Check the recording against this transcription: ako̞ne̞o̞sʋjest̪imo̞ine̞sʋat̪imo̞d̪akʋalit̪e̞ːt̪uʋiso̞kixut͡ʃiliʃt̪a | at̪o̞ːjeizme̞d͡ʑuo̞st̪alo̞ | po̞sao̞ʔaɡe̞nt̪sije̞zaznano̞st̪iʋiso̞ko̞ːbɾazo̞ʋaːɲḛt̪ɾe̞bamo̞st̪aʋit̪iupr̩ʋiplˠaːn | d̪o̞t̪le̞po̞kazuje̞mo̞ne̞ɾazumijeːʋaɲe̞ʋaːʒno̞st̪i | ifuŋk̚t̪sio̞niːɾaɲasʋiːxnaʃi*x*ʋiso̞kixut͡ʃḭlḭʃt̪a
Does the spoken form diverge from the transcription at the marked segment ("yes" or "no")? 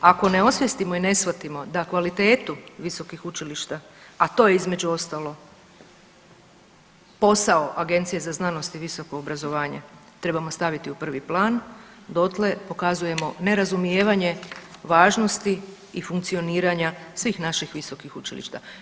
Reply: no